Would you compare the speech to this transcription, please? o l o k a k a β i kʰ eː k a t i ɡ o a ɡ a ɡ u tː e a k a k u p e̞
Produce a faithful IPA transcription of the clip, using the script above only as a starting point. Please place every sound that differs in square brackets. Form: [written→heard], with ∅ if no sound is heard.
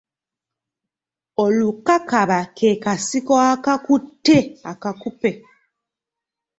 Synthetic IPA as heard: o l [o→u] k a k a β [i→a] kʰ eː k a [t→s] i [ɡ→k] o a [ɡ→k] a [ɡ→k] u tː e a k a k u p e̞